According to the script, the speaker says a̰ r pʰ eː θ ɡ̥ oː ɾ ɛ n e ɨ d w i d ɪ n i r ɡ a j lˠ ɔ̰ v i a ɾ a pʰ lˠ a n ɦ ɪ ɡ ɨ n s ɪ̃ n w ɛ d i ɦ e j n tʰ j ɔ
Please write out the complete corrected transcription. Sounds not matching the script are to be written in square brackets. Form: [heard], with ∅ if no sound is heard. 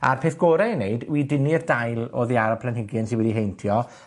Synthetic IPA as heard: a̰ r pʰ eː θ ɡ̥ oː ɾ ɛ n e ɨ d w i d ɪ n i r [d] a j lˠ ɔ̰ [ð] i a ɾ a pʰ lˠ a n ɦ ɪ ɡ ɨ n s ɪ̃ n w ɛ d i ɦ e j n tʰ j ɔ

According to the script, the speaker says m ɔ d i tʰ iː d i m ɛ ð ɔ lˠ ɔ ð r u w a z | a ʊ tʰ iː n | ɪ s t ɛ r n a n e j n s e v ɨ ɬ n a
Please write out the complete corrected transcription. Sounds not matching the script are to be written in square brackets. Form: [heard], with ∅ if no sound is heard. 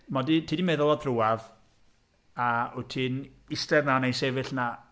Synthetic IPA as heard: m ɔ d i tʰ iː d i m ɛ ð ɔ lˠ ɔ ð r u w a [v] | a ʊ tʰ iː n | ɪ s t ɛ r n a n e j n s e v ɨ ɬ n a

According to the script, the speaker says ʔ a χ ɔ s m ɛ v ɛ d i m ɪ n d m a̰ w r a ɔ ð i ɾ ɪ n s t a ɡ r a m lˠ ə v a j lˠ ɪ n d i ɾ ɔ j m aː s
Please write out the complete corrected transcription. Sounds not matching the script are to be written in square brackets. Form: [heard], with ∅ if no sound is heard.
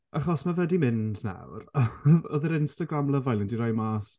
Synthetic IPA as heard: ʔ a χ ɔ s m [a] v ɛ d i m ɪ n d [n] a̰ w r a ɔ ð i ɾ ɪ n s t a ɡ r a m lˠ ə v a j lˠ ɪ n d i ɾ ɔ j m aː s

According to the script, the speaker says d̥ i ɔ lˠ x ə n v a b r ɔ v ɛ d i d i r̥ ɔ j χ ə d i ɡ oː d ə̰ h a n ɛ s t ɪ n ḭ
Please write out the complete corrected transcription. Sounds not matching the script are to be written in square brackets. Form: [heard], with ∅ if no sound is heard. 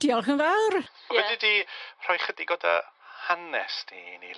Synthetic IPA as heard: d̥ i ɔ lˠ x ə n v a [w] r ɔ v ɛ d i d i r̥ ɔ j χ ə d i ɡ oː d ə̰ h a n ɛ s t [i] n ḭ

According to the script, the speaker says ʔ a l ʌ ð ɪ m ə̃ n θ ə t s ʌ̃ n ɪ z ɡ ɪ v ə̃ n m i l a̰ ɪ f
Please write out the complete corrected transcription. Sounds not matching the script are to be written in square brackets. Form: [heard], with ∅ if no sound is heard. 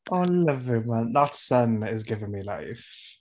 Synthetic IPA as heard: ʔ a l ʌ [v] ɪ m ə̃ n [ð] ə t s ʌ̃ n ɪ z ɡ ɪ v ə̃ n m i l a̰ ɪ f

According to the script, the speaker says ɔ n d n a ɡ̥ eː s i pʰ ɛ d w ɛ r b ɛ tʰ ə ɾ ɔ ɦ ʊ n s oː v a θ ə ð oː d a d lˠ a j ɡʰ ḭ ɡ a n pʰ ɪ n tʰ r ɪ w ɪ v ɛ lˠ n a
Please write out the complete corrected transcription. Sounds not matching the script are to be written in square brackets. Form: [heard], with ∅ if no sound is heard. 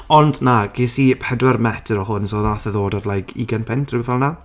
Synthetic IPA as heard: ɔ n d n a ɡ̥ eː s i pʰ ɛ d w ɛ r [m] ɛ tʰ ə ɾ ɔ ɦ ʊ n s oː [ð] a θ ə ð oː d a d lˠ a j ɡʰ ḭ ɡ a n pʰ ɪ n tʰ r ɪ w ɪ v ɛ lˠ n a

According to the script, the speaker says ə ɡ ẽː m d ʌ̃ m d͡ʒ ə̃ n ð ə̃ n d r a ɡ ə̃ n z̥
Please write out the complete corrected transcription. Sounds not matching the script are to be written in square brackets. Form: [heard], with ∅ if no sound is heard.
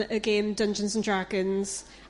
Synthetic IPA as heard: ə ɡ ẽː m d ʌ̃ [n] d͡ʒ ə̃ n [z] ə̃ n d [ɹ] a ɡ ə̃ n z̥

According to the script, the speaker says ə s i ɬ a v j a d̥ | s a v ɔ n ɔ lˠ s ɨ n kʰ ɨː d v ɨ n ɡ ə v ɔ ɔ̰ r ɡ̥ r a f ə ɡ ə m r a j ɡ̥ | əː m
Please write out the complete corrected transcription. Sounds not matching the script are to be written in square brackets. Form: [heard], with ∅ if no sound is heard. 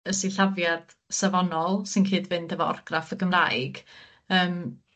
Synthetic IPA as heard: ə s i ɬ a v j a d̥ | s a v ɔ n ɔ lˠ s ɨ n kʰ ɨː d v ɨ n [d] ə v ɔ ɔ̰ r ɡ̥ r a f ə ɡ ə m r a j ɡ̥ | əː m

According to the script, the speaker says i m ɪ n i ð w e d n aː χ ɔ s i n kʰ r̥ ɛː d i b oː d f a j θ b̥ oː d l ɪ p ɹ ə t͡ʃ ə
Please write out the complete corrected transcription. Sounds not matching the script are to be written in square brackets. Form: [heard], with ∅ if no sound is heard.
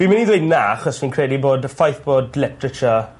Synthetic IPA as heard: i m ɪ n i ð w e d n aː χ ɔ s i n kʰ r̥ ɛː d i b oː d f a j θ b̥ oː d l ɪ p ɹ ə t͡ʃ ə

